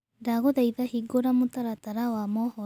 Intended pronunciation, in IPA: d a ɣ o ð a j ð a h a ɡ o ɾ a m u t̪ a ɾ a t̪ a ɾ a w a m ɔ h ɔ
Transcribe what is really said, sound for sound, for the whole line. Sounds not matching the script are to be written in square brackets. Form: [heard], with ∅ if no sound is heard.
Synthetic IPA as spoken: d a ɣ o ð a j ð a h [i] ɡ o ɾ a m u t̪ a ɾ a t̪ a ɾ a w a m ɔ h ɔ